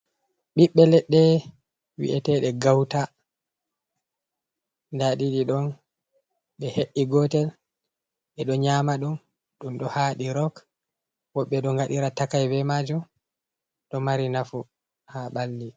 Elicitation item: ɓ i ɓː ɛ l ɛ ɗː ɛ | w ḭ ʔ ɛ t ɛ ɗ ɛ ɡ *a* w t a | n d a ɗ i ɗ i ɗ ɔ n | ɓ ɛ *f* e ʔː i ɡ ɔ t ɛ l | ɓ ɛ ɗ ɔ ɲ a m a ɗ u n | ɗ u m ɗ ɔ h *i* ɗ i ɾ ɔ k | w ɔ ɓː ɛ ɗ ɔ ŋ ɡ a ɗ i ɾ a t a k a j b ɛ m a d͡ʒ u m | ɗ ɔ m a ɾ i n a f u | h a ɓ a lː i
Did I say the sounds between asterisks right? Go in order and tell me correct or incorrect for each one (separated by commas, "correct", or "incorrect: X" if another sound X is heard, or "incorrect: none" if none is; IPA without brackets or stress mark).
correct, incorrect: h, incorrect: a